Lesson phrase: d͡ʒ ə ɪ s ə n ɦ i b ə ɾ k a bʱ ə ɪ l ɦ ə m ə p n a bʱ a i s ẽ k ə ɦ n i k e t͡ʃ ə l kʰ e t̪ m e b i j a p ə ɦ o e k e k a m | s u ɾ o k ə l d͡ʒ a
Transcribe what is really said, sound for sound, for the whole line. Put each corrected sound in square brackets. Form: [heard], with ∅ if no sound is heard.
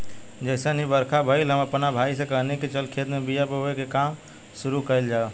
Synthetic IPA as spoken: d͡ʒ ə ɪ s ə n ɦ i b ə ɾ [kʰ] a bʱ ə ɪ l ɦ ə m ə p n a bʱ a i s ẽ k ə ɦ n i k e t͡ʃ ə l kʰ e t̪ m e b i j a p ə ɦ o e k e k a m | s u ɾ [u] k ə l d͡ʒ a